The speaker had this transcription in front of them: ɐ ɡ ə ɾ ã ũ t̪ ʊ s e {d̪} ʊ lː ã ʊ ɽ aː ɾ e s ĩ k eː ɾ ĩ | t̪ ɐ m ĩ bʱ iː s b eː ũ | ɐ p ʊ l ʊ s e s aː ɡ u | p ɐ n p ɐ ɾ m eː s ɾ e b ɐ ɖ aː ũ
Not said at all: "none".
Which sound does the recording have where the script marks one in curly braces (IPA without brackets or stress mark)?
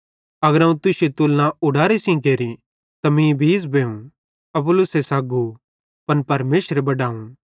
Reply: t̪